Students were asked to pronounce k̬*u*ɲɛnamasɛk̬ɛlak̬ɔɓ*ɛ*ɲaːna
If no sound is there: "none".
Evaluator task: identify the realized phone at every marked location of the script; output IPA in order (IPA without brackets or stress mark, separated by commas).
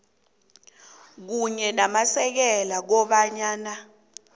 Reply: u, a